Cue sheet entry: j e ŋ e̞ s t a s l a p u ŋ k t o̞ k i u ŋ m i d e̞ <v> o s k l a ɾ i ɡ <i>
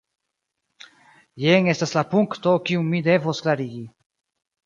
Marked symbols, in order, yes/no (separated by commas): yes, yes